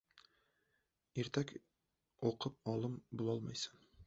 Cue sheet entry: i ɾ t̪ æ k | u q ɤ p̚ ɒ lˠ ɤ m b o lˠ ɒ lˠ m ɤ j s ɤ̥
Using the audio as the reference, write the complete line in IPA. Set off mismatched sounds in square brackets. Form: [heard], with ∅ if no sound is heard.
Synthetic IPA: i ɾ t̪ æ k | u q ɤ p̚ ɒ lˠ ɤ m b [u] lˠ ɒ lˠ m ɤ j s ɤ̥